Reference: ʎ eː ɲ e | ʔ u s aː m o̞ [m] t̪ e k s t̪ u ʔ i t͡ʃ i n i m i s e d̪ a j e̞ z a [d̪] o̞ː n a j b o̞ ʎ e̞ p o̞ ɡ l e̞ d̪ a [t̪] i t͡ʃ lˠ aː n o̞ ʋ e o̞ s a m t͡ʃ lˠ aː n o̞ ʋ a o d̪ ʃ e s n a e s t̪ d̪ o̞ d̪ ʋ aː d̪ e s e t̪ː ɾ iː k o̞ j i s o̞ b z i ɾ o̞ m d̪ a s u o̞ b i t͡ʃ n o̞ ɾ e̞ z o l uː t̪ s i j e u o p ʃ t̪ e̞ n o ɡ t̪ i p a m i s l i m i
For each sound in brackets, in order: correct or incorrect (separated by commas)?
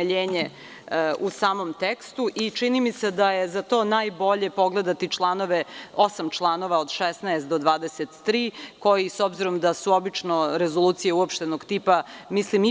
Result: correct, incorrect, correct